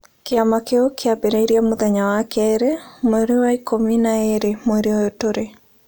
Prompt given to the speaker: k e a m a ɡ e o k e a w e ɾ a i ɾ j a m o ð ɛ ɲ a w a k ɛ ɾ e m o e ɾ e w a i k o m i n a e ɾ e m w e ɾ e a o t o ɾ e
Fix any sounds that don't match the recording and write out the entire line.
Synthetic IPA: k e a m a k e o k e a b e ɾ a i ɾ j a m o ð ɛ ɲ a w a k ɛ ɾ e m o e ɾ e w a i k o m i n a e ɾ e m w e ɾ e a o t o ɾ e

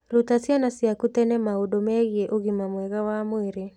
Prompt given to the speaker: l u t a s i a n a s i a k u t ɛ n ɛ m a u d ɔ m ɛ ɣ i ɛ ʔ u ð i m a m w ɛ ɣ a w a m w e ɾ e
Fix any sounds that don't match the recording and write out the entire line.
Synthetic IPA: l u t a s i a n a s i a k u t ɛ n ɛ m a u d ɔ m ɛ ɣ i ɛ ʔ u ɣ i m a m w ɛ ɣ a w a m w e ɾ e

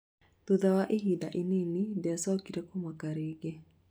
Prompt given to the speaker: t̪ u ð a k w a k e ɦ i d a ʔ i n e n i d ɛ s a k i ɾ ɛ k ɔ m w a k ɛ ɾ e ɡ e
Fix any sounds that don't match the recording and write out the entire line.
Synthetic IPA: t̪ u ð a w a ʔ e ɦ i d a ʔ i n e n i d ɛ s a k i ɾ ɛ k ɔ m w a k a ɾ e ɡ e

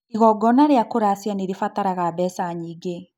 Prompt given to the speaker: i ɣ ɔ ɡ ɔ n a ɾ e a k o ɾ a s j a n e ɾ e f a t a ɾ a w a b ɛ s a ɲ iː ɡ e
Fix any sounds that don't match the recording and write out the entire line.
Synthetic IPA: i ɣ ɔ ɡ ɔ n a ɾ e a k o ɾ a s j a n e ɾ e f a t a ɾ a ɣ a b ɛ s a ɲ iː ɡ e

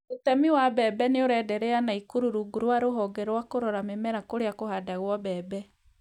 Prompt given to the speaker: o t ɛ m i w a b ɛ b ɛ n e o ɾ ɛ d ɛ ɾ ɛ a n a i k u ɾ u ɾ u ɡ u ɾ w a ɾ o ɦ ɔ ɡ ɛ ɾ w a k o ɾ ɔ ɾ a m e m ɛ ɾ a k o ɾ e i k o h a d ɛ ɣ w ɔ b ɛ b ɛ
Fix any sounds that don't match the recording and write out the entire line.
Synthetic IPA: o t ɛ m i w a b ɛ b ɛ n e o ɾ ɛ d ɛ ɾ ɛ a n a i k u ɾ u ɾ u ɡ u ɾ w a ɾ o ɦ ɔ ɡ ɛ ɾ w a k o ɾ ɔ ɾ a m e m ɛ ɾ a k o ɾ e a k o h a d a ɣ w ɔ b ɛ b ɛ

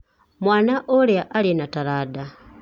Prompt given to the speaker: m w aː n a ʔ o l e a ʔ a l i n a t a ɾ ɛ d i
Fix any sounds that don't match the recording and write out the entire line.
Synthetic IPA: m w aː n a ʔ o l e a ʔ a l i n a t a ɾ a d a

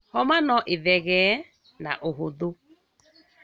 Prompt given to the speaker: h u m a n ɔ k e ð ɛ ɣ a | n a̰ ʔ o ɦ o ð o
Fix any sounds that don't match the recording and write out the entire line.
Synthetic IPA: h ɔ m a n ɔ ʔ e ð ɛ ɣ ɛ | n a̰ ʔ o ɦ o ð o

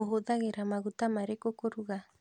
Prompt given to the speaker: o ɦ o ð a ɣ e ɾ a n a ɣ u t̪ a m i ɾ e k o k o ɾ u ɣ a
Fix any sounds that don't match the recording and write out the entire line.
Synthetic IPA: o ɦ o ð a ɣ e ɾ a m a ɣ u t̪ a m a ɾ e k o k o ɾ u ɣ a

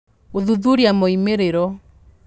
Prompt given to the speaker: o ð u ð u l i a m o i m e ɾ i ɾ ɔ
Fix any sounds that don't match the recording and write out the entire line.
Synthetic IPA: o ð u ð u ɾ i a m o i m e ɾ e ɾ ɔ

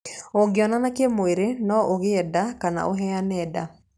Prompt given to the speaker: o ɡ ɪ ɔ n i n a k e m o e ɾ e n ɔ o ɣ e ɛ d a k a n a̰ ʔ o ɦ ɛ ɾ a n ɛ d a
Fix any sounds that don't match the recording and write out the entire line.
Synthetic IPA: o ɡ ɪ ɔ n a n a k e m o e ɾ e n ɔ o ɣ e ɛ d a k a n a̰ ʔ o ɦ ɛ a n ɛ d a

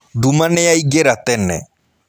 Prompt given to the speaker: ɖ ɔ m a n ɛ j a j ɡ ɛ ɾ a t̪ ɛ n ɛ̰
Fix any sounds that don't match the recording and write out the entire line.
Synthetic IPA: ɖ u m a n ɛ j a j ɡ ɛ ɾ a t̪ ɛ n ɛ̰

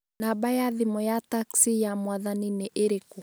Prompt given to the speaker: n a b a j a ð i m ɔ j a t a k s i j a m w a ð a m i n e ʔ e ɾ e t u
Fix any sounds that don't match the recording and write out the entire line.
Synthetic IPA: n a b a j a ð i m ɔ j a t a k s i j a m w a ð a n i n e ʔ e ɾ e k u

